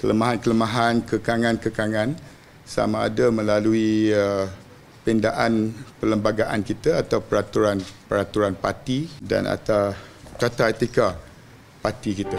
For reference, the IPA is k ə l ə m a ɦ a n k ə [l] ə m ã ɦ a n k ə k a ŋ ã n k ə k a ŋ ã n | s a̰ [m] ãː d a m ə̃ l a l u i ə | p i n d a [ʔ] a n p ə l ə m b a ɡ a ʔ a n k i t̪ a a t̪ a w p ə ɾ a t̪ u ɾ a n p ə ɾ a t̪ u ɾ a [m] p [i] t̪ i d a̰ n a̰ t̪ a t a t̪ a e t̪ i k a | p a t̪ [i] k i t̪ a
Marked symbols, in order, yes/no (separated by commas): yes, yes, yes, no, no, yes